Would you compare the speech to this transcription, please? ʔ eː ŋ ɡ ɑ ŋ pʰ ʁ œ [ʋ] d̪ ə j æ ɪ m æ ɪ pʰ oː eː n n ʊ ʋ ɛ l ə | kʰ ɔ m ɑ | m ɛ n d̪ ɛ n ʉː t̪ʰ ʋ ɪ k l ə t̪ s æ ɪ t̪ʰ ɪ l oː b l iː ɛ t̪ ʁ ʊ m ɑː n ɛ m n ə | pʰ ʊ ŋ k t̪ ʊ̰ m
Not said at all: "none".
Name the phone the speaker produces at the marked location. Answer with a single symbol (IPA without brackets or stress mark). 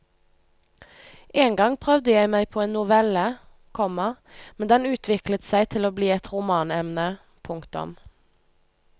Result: ʋ